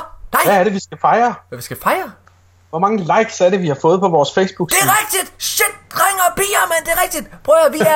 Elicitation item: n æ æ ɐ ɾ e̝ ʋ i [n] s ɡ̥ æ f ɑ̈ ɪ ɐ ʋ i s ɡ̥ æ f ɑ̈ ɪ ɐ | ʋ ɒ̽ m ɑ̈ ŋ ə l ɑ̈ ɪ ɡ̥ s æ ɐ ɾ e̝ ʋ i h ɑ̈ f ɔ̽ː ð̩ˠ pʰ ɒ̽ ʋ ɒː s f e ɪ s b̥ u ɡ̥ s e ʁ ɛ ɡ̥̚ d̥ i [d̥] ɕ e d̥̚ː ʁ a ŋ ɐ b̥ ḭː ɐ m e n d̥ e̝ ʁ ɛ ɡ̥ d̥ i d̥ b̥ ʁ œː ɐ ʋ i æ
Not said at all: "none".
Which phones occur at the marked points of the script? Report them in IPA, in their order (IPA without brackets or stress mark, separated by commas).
none, d̥